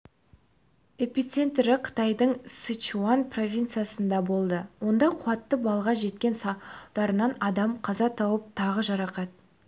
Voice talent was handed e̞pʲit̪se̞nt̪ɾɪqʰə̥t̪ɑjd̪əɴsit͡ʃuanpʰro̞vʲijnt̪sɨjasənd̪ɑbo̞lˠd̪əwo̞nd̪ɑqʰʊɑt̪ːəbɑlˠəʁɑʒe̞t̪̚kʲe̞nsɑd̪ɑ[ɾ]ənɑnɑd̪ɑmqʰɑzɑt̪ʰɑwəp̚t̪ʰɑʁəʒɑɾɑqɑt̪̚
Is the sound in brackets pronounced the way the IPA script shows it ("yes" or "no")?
yes